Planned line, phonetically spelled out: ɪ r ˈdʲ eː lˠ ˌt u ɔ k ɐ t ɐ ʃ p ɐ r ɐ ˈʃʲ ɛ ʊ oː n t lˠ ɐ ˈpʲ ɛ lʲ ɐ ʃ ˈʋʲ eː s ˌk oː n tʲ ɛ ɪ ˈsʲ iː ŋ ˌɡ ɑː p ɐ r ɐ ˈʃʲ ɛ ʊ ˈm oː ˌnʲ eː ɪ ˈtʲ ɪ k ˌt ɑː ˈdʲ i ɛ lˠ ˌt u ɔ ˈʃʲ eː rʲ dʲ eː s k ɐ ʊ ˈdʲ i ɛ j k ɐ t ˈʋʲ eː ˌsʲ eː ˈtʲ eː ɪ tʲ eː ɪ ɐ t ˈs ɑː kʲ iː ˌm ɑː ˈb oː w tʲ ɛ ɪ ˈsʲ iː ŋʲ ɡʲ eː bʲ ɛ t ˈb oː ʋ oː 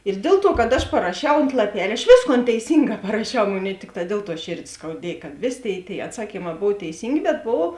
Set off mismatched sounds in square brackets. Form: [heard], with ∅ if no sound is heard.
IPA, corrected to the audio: ɪ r ˈdʲ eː lˠ ˌt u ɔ k ɐ t ɐ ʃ p ɐ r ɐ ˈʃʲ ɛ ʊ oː n t lˠ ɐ ˈpʲ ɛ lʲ ɐ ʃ ˈʋʲ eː s ˌk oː n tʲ ɛ ɪ ˈsʲ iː ŋ ˌɡ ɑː p ɐ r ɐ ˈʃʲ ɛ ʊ ˈm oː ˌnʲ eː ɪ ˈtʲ ɪ k ˌt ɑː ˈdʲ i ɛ lˠ ˌt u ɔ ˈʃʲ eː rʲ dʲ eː s k ɐ ʊ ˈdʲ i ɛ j k ɐ t ˈʋʲ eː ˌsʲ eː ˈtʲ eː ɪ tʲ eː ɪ ɐ t ˈs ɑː kʲ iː ˌm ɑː ˈb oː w tʲ ɛ ɪ ˈsʲ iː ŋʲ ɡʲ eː bʲ ɛ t ˈb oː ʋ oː